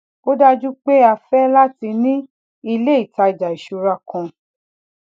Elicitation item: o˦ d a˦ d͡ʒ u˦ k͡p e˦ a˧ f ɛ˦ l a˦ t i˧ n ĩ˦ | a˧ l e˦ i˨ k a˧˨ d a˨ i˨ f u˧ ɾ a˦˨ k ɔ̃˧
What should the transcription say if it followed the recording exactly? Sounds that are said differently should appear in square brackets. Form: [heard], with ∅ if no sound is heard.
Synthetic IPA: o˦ d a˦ d͡ʒ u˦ k͡p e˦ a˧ f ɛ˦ l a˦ t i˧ n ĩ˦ | [i˧] l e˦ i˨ [t] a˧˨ [d͡ʒ] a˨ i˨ [ʃ] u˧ ɾ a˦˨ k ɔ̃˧

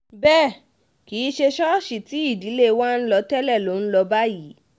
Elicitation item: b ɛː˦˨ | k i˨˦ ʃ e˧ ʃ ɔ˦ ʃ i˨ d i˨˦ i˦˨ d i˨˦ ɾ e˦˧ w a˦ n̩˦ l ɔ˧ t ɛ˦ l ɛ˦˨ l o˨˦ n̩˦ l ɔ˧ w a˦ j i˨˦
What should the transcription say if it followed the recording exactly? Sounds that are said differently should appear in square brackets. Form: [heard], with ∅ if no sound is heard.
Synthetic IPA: b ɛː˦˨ | k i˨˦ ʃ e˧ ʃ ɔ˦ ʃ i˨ [t] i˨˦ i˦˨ d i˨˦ [l] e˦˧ w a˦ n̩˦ l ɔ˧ t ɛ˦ l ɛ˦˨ l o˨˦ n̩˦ l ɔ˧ [b] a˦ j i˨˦

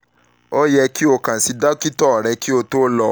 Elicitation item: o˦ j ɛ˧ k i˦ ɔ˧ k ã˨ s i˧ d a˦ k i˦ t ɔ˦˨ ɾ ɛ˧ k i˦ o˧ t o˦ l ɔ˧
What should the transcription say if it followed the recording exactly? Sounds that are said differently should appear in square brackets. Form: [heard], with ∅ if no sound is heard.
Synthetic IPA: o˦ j ɛ˧ k i˦ [o˧] k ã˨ s i˧ d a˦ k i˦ t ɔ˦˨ ɾ ɛ˧ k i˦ o˧ t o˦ l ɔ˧

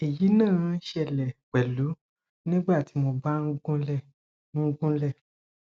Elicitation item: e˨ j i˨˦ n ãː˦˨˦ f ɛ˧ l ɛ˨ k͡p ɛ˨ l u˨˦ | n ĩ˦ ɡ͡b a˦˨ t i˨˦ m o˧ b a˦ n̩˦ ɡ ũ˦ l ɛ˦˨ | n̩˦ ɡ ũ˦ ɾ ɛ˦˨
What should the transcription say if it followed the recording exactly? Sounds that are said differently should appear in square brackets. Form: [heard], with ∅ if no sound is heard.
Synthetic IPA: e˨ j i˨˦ n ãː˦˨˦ [ʃ] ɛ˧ l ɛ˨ k͡p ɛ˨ l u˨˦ | n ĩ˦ ɡ͡b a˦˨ t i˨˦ m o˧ b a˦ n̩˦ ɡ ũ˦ l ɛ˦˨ | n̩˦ ɡ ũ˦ [l] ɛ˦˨

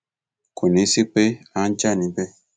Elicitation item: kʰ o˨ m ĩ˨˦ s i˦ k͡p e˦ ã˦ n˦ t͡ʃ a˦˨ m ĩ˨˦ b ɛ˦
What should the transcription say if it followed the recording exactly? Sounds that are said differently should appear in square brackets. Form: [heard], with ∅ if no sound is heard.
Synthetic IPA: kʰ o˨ [n] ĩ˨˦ s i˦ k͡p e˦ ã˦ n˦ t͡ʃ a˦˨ [n] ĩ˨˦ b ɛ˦

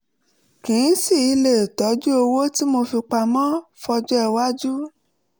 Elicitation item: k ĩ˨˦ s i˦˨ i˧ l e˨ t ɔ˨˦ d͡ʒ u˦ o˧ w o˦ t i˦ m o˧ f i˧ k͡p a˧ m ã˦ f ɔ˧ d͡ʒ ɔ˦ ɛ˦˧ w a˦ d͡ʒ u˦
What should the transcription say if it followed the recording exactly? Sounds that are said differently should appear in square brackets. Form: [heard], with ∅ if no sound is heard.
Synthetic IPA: k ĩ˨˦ s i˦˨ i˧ l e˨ t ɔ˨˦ d͡ʒ u˦ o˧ w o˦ t i˦ m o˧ f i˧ k͡p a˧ m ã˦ f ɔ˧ d͡ʒ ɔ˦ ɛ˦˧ w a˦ d͡ʒ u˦

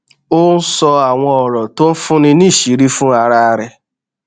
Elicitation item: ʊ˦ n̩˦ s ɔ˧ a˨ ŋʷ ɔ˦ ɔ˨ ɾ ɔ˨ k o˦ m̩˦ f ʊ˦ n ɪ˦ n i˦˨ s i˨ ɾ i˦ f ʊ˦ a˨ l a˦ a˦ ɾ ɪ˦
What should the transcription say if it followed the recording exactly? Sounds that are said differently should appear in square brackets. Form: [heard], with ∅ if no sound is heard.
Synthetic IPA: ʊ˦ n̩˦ s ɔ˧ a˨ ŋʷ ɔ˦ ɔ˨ ɾ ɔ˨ [t] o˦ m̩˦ f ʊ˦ n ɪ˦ n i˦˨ [ʃ] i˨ ɾ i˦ f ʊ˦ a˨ [ɾ] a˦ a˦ ɾ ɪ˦

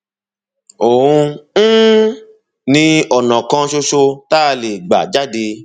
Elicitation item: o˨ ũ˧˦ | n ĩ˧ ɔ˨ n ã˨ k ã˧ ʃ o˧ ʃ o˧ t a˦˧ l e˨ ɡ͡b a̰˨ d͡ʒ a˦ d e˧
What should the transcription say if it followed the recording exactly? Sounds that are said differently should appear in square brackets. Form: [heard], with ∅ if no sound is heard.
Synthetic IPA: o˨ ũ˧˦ | n ĩ˧ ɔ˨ n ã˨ k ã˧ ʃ o˧ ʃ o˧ t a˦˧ l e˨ ɡ͡b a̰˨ d͡ʒ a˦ d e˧

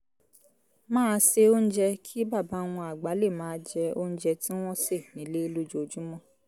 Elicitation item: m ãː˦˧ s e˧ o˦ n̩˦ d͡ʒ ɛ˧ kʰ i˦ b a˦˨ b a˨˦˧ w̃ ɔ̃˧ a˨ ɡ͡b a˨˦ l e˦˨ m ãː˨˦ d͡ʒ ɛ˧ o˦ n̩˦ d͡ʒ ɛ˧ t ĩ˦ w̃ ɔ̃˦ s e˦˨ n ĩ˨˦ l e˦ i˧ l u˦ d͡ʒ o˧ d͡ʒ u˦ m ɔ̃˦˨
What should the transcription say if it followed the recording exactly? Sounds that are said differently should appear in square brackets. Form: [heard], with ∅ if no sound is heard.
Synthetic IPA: m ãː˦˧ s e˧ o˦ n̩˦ d͡ʒ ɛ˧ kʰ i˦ b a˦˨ b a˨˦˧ w̃ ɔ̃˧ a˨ ɡ͡b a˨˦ l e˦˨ m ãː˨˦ d͡ʒ ɛ˧ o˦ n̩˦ d͡ʒ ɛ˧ t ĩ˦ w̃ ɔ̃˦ s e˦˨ n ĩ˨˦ l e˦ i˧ l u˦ d͡ʒ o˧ d͡ʒ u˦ m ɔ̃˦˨

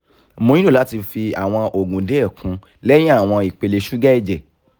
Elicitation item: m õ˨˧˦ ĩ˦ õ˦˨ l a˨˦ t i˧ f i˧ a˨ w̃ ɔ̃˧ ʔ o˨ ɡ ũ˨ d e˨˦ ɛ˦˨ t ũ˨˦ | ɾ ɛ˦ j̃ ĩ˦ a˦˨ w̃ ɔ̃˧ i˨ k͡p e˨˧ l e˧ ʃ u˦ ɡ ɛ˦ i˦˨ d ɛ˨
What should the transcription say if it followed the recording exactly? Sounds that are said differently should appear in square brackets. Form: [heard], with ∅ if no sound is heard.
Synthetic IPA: m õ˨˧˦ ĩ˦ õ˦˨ l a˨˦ t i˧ f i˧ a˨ w̃ ɔ̃˧ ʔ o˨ ɡ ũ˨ d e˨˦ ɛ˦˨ [k] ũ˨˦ | [l] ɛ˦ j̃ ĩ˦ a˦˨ w̃ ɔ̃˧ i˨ k͡p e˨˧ l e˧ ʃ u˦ ɡ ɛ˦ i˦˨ [d͡ʒ] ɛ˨

